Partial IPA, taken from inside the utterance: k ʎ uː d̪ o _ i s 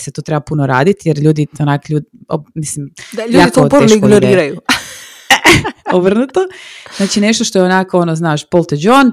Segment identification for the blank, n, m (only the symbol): m